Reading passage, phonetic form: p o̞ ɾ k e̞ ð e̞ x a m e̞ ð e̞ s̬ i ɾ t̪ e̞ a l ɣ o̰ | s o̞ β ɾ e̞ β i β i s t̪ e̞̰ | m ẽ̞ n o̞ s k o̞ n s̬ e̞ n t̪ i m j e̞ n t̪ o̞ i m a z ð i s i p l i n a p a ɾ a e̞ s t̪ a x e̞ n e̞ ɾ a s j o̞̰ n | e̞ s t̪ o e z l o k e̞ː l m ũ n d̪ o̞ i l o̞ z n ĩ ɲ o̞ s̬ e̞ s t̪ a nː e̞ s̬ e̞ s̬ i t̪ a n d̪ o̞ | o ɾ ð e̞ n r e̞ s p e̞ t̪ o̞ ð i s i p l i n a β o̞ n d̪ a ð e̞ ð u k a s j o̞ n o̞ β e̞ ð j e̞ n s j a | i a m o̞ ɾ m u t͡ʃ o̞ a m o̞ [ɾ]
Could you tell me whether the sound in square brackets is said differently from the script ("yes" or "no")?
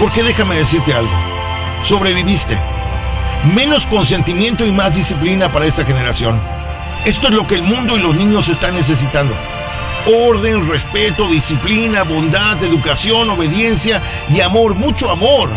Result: no